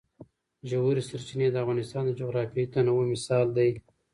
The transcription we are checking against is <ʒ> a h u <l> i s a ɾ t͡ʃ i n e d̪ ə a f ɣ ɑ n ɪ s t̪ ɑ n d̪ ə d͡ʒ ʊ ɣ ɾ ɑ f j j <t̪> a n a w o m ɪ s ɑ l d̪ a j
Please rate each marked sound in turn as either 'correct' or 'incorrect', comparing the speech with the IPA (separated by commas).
correct, incorrect, correct